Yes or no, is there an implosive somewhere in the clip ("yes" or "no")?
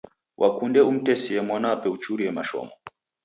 no